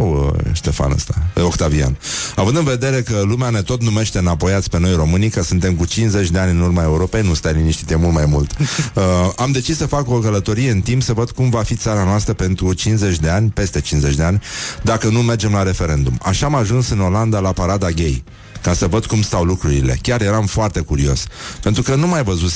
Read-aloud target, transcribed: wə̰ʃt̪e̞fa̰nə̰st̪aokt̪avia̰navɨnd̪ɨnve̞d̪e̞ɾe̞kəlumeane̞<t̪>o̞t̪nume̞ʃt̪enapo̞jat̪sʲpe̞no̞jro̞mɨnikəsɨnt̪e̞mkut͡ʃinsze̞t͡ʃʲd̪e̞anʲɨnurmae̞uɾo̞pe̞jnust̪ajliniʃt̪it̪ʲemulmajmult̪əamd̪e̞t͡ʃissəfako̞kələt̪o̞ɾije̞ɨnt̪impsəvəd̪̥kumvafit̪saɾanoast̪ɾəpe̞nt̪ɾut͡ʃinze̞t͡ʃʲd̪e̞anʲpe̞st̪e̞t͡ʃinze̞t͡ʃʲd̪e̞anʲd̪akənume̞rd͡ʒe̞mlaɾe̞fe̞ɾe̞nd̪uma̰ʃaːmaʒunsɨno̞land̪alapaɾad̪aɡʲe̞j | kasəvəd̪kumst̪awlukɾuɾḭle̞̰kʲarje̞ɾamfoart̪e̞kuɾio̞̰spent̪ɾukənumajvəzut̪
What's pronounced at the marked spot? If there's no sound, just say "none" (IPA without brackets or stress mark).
t̪